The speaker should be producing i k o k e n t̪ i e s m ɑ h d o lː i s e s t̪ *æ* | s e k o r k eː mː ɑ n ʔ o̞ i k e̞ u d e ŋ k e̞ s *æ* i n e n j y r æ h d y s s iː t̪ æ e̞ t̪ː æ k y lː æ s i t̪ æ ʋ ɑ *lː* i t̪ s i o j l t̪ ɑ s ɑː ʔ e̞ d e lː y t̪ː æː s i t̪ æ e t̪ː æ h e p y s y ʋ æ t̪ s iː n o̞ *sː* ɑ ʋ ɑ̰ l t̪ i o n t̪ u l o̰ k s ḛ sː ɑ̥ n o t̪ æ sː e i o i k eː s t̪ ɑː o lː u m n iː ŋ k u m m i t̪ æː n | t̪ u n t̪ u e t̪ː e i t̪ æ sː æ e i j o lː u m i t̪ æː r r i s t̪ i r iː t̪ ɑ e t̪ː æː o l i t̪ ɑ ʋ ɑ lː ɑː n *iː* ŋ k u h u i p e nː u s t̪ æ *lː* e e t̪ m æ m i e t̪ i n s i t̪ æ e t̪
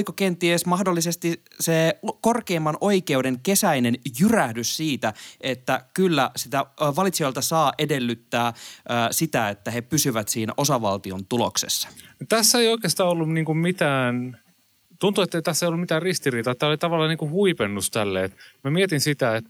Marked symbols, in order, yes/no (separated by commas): no, yes, no, no, no, yes